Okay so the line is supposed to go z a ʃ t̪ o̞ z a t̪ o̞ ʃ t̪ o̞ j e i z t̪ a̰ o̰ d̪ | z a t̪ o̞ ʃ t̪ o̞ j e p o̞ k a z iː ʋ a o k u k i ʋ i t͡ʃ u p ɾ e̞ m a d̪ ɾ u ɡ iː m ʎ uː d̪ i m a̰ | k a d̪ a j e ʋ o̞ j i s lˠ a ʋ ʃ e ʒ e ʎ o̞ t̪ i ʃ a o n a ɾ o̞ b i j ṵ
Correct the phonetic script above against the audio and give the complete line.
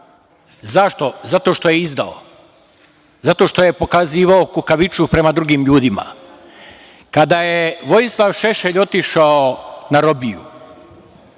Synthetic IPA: z a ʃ t̪ o̞ z a t̪ o̞ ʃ t̪ o̞ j e i z d̪ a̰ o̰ | z a t̪ o̞ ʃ t̪ o̞ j e p o̞ k a z iː ʋ a o k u k a ʋ i t͡ʃ u p ɾ e̞ m a d̪ ɾ u ɡ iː m ʎ uː d̪ i m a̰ | k a d̪ a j e ʋ o̞ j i s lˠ a ʋ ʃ e ʃ e ʎ o̞ t̪ i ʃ a o n a ɾ o̞ b i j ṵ